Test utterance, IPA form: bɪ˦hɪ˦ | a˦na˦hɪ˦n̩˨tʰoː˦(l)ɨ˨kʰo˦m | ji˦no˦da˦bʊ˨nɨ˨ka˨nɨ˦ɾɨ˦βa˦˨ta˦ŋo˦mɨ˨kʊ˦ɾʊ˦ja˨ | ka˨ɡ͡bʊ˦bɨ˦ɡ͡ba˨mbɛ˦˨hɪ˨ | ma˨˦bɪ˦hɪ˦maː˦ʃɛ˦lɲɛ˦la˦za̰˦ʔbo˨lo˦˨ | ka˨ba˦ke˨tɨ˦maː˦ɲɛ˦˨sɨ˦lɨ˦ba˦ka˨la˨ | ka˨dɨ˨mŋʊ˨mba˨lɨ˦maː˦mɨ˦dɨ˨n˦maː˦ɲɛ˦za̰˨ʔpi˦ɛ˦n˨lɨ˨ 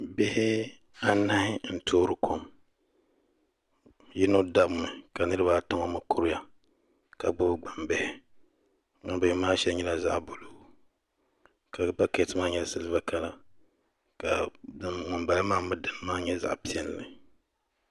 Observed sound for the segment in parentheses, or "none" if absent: ɾ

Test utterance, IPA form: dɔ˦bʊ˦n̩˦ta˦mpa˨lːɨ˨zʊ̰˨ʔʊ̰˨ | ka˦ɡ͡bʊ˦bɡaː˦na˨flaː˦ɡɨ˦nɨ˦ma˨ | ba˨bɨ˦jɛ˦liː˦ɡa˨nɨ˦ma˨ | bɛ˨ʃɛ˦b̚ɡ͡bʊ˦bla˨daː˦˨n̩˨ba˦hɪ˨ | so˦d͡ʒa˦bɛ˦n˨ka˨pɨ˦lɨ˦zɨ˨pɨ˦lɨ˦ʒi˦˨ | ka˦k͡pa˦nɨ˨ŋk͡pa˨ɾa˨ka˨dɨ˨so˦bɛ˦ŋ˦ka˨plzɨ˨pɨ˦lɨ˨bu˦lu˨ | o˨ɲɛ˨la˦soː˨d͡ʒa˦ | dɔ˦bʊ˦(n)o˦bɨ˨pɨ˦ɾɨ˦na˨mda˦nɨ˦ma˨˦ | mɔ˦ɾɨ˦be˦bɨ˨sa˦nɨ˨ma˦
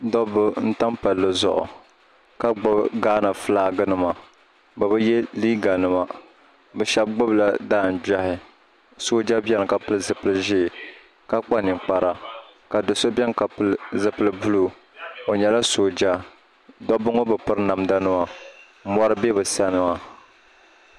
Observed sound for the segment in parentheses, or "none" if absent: ŋ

